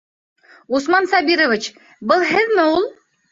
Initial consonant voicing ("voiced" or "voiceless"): voiceless